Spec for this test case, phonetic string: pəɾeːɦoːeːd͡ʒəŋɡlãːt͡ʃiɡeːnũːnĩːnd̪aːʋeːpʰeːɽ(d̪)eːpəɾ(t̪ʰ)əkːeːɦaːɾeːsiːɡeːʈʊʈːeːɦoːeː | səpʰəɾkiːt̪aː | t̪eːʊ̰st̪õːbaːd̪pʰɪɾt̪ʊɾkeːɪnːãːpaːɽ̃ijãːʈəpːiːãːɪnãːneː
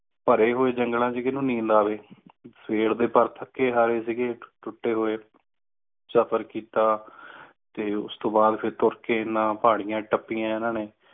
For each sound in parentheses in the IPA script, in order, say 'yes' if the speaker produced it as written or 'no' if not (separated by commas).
yes, yes